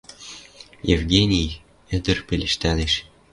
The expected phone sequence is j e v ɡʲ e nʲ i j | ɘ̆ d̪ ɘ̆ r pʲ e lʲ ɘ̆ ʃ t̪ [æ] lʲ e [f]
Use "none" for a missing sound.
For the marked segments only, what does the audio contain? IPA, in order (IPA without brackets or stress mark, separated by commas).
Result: æ, ʃ